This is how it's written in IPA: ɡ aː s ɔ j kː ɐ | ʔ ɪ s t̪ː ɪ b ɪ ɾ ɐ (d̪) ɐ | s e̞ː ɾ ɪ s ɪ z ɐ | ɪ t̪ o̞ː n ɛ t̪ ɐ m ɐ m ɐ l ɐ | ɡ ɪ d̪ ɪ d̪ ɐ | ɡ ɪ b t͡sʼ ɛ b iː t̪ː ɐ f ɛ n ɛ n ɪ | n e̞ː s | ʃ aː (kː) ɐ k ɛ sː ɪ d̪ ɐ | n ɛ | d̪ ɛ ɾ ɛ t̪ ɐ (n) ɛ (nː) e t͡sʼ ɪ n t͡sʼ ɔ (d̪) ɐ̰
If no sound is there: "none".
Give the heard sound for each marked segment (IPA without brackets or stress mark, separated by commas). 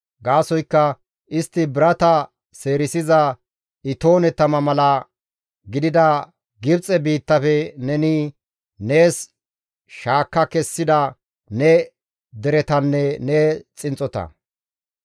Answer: t̪, kː, nː, n, t̪